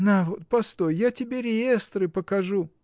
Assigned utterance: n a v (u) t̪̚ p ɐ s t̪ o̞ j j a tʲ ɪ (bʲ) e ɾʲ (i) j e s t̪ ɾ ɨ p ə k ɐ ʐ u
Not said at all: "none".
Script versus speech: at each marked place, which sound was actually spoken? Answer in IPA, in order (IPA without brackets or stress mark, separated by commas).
o, bʲ, ɪ